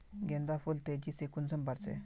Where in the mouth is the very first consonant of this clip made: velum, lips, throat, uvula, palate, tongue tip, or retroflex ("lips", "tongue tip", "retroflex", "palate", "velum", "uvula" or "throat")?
velum